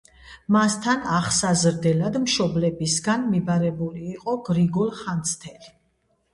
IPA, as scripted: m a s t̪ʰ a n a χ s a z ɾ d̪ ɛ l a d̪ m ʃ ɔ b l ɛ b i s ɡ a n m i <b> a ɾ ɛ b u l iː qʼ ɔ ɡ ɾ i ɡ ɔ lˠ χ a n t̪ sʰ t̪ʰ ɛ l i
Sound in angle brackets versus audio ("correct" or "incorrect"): correct